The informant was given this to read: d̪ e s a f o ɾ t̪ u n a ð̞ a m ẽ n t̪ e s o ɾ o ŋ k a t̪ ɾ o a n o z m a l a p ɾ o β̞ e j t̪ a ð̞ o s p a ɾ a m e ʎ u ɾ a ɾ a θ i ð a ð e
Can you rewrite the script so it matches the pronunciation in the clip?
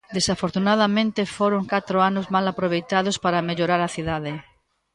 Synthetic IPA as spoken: d̪ e s a f o ɾ t̪ u n a ð̞ a m ẽ n t̪ e f o ɾ o ŋ k a t̪ ɾ o a n o z m a l a p ɾ o β̞ e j t̪ a ð̞ o s p a ɾ a m e ʎ o ɾ a ɾ a θ i ð a ð e